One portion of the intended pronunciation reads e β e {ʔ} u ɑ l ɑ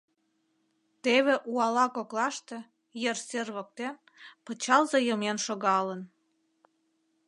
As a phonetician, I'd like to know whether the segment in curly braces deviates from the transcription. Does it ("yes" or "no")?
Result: no